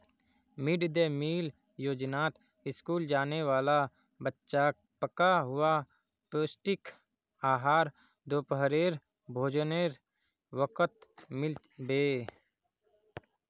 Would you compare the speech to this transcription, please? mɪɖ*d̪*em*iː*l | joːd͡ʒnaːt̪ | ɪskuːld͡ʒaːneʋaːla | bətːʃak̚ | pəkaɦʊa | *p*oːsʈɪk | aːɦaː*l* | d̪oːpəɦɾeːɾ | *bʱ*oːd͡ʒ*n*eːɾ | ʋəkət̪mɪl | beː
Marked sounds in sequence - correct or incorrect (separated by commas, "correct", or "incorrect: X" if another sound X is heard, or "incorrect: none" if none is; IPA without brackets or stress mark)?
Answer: correct, correct, correct, incorrect: ɾ, correct, correct